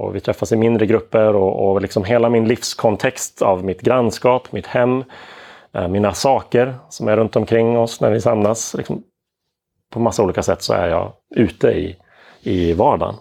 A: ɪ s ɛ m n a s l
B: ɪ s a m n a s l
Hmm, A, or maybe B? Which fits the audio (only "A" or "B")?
B